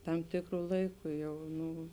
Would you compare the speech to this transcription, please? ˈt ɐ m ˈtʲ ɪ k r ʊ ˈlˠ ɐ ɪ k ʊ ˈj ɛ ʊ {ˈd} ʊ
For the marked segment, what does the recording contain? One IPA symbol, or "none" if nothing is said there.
n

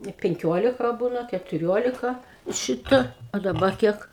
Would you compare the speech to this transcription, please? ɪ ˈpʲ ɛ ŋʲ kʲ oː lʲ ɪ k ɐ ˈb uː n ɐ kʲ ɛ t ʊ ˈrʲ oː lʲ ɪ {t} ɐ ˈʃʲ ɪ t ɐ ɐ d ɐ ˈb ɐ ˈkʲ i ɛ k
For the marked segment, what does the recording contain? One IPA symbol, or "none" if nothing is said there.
k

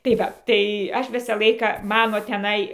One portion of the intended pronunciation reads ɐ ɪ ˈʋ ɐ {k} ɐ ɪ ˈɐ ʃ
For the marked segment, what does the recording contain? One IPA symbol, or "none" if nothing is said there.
t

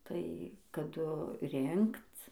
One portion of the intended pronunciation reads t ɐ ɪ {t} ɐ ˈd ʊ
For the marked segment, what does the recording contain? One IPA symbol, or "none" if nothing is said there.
k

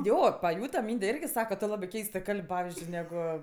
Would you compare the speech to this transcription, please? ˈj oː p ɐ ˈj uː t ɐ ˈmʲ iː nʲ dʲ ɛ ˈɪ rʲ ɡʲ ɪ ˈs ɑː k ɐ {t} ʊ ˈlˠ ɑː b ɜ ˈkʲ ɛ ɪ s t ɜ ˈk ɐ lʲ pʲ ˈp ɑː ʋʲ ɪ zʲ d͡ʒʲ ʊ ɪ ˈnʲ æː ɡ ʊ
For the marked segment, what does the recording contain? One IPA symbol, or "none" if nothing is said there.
t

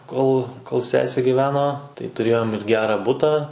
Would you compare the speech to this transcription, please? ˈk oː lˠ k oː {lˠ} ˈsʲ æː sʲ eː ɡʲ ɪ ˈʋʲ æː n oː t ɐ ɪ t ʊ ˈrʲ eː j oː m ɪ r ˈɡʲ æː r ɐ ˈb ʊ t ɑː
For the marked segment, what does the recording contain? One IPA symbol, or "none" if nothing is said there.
lˠ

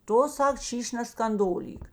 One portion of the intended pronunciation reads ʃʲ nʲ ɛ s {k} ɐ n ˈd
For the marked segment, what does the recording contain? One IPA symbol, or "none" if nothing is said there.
k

